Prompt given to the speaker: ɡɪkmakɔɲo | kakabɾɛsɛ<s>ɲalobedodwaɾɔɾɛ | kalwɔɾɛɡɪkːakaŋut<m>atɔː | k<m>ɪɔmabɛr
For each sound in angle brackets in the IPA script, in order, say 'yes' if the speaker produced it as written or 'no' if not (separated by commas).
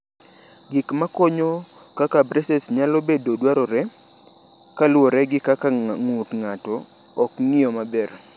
yes, no, no